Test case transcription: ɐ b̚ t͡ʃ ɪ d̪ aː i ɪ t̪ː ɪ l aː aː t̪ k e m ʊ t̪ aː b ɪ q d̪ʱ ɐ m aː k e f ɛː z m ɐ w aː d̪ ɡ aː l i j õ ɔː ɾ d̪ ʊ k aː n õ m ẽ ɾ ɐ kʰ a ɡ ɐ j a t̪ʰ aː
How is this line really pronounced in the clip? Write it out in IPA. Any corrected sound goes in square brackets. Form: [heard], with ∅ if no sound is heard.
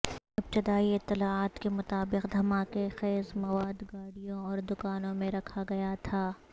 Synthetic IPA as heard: ɐ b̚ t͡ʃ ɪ d̪ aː i ɪ t̪ː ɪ l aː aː t̪ k e m ʊ t̪ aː b ɪ q d̪ʱ ɐ m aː k e [x] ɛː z m ɐ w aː d̪ ɡ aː [ɽ] i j õ ɔː ɾ d̪ ʊ k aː n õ m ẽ ɾ ɐ kʰ a ɡ ɐ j a t̪ʰ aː